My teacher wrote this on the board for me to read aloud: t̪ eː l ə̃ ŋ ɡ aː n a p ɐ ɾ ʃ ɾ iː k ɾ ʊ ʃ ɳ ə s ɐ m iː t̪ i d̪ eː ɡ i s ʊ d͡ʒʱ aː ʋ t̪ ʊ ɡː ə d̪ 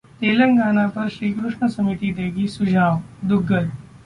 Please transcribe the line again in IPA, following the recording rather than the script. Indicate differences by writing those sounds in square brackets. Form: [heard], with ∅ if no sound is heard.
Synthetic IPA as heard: t̪ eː l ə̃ ŋ ɡ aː n a p ɐ ɾ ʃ ɾ iː k ɾ ʊ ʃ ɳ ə s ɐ m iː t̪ i d̪ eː ɡ i s ʊ d͡ʒʱ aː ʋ [d̪] ʊ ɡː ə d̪